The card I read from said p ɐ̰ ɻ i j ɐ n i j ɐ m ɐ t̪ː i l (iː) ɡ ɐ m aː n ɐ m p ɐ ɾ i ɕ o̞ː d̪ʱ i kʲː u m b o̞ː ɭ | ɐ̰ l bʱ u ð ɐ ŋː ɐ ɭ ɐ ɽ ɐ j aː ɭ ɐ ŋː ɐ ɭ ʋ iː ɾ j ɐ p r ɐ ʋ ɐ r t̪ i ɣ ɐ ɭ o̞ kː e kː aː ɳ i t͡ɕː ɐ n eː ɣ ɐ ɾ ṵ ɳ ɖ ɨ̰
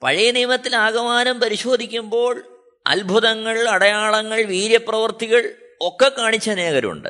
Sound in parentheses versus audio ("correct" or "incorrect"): incorrect